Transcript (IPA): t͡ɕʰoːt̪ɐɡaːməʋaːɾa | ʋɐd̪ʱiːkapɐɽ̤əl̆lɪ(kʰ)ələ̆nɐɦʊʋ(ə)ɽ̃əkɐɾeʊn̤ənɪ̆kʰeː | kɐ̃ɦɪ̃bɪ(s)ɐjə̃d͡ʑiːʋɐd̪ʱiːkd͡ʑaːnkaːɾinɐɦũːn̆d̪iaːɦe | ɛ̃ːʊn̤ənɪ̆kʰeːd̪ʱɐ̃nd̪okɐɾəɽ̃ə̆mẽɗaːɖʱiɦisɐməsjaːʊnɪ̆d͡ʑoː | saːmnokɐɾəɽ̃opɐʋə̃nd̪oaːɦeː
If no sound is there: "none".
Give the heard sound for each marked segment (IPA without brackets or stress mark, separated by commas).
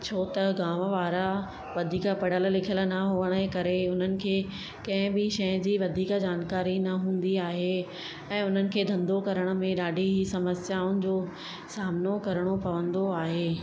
kʰ, ə, ʃ